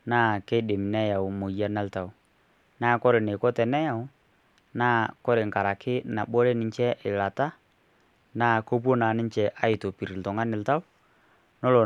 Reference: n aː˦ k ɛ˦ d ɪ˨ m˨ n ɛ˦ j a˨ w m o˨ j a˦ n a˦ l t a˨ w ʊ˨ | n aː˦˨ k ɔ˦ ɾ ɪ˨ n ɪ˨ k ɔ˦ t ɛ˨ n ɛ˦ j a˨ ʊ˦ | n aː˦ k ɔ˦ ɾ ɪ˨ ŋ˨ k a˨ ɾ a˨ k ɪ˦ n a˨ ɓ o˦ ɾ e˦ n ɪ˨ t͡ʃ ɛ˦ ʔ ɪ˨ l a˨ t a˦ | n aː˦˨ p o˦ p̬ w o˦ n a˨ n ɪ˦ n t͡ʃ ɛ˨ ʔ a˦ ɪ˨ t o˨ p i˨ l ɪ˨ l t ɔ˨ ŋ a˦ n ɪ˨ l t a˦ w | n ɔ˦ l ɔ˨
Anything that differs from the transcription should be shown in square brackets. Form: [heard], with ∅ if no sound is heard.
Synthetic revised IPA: n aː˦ k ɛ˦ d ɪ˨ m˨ n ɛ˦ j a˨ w m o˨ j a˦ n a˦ l t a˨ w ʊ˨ | n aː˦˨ k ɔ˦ ɾ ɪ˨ n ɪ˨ k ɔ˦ t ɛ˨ n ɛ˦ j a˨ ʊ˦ | n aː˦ k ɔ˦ ɾ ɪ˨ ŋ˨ k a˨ ɾ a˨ k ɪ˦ n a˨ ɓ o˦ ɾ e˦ n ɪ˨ t͡ʃ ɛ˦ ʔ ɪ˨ l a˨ t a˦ | n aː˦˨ [k] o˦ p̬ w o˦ n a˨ n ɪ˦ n t͡ʃ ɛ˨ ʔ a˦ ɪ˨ t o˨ p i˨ [ɾ] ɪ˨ l t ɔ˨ ŋ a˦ n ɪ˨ l t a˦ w | n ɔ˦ l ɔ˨

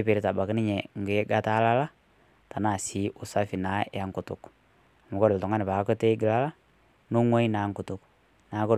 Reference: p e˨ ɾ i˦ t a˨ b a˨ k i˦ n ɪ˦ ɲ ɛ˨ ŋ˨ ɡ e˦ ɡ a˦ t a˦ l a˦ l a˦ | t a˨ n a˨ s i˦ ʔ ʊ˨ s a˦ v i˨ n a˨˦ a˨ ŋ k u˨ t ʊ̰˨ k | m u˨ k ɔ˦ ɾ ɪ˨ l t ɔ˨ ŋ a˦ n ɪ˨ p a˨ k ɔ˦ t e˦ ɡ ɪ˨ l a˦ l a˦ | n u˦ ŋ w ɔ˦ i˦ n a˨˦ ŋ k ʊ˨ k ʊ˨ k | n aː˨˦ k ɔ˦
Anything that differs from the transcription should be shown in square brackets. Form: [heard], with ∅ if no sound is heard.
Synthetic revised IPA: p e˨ ɾ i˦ t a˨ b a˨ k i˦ n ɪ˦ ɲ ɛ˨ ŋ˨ ɡ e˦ ɡ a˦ t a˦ l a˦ l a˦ | t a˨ n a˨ s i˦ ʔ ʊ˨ s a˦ [f] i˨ n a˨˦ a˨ ŋ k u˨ t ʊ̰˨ k | m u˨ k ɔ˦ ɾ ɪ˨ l t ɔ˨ ŋ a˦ n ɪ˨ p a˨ k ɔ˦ t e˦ ɡ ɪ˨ l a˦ l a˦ | n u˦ ŋ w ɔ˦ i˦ n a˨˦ ŋ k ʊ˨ [t] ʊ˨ k | n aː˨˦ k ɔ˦

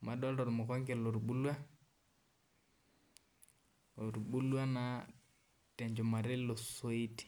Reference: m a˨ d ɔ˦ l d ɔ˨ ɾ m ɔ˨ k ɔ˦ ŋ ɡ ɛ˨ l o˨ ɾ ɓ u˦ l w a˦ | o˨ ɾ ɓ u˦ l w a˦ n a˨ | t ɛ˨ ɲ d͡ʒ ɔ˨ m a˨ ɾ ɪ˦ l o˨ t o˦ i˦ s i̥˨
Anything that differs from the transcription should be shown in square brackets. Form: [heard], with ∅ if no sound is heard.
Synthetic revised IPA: m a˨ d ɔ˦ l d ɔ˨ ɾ m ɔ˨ k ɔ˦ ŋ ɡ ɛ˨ l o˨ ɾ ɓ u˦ l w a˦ | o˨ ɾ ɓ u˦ l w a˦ n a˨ | t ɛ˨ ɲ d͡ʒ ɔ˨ m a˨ ɾ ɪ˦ l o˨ [s] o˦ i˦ [t] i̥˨

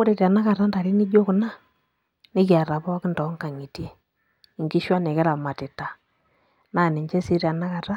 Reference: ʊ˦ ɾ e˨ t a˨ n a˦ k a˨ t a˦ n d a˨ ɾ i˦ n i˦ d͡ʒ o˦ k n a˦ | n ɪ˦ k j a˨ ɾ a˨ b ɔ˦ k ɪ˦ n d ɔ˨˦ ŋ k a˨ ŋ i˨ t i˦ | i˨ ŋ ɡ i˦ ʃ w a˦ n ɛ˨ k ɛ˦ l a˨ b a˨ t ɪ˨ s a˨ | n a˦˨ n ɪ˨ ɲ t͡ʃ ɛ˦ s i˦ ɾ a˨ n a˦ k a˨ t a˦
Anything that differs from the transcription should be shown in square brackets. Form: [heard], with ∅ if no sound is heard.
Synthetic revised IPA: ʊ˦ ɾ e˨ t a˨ n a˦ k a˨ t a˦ n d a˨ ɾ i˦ n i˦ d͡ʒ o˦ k n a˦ | n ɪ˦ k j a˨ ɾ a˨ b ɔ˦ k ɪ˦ n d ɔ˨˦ ŋ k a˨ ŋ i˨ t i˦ | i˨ ŋ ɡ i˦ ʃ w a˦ n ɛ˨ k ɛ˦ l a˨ [m] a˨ t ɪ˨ [t] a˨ | n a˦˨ n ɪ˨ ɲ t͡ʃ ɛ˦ s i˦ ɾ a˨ n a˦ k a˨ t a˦

